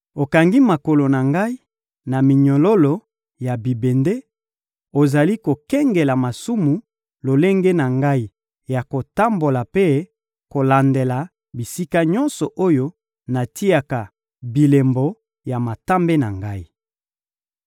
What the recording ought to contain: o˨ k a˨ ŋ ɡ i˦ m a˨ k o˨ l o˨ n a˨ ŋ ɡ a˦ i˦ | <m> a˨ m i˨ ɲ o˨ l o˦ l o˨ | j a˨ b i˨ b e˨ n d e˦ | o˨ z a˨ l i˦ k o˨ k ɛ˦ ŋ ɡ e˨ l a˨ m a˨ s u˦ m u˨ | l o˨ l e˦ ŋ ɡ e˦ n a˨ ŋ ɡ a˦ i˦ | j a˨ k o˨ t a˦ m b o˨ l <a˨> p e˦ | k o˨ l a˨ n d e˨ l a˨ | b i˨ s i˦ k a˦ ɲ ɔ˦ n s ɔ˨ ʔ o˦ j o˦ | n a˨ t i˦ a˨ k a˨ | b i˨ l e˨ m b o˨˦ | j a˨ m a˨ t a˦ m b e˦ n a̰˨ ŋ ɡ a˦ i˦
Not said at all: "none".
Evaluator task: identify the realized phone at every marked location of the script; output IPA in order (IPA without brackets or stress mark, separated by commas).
n, a˨